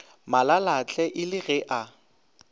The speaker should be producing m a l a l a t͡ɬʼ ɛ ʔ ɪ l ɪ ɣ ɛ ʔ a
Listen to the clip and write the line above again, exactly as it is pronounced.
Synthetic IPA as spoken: m a l a l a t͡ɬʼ ɛ ʔ ɪ l ɪ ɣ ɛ ʔ a